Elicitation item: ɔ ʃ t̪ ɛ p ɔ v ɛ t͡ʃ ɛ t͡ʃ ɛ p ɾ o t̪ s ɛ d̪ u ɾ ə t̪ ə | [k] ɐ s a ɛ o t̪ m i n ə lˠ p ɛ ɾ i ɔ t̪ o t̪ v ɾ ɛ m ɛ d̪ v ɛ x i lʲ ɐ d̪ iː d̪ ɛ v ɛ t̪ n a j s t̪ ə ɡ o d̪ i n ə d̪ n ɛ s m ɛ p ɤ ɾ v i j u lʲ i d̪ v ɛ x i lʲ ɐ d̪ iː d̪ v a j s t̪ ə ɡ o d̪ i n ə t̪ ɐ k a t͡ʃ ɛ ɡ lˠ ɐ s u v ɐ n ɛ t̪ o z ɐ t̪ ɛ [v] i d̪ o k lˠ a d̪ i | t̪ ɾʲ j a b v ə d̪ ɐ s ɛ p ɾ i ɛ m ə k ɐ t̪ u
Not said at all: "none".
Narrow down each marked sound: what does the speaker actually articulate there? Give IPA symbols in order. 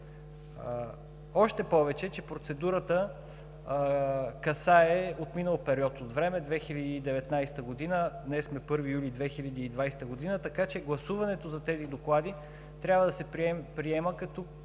k, z

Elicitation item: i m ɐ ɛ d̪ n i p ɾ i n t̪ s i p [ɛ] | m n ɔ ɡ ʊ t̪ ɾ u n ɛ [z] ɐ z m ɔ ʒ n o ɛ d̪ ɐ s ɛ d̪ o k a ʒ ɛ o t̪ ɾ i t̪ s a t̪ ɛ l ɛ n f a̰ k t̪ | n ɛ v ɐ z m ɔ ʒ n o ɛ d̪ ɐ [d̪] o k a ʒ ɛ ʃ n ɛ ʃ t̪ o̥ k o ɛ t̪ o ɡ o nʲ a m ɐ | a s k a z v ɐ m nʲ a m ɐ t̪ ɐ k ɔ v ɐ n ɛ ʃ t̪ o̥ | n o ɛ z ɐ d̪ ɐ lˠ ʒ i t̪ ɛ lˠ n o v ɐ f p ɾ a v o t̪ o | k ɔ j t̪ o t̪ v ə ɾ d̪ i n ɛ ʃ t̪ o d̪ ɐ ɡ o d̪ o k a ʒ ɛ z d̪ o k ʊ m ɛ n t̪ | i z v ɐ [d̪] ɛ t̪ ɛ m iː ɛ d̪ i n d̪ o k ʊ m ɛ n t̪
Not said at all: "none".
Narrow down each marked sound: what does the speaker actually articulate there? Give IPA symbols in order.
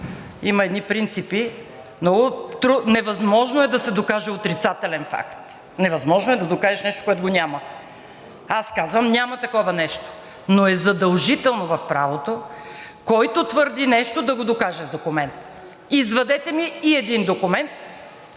i, v, d̪, d̪

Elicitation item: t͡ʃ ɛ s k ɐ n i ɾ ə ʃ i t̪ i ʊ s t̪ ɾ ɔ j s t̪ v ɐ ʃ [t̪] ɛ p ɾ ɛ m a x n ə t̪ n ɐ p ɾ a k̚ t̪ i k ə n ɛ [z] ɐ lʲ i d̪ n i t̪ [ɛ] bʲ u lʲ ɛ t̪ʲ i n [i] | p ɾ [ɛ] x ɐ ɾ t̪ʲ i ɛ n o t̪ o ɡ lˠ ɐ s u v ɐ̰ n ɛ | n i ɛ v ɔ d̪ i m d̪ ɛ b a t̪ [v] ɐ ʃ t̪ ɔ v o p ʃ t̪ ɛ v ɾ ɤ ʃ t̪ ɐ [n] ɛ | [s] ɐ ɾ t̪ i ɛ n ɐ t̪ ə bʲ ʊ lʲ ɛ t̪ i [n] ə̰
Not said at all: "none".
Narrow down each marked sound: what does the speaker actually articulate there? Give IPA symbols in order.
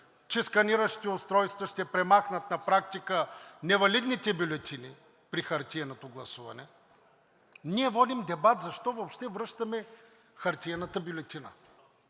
t̪, v, ɛ, i, i, z, m, x, n

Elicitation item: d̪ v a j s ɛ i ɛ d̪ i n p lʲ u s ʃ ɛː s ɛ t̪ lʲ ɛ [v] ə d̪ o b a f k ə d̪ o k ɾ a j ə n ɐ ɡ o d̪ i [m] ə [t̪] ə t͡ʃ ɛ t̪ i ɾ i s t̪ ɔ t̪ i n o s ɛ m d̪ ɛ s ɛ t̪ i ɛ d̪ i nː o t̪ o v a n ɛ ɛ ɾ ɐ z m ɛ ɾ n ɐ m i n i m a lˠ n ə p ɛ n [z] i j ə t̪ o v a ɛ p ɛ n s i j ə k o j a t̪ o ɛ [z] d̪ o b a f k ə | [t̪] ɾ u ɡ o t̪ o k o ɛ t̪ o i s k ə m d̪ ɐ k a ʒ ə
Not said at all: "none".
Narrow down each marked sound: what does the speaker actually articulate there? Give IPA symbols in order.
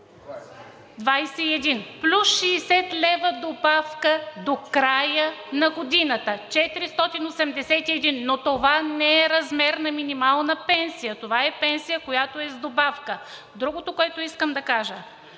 v, n, t̪, s, z, d̪

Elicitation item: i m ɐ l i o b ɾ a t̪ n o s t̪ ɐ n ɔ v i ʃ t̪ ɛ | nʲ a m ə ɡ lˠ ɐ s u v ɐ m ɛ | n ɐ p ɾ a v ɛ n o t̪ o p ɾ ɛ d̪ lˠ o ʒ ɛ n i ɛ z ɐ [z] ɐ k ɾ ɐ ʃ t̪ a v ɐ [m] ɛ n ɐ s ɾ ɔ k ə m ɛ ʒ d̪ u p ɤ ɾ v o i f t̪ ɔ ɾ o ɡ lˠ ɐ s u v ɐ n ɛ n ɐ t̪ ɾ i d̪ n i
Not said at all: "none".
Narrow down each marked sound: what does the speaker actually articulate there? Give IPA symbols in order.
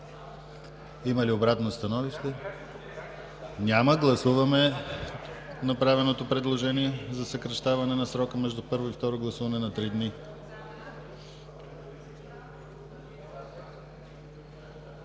s, n

